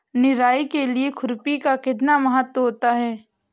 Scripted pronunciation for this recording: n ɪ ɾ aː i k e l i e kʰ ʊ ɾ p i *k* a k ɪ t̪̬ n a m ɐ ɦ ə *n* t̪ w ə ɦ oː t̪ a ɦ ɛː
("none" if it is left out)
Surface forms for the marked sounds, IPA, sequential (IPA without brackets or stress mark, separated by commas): k, none